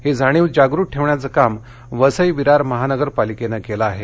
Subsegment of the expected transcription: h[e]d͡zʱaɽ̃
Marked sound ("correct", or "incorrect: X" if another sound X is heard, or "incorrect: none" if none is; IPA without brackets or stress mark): correct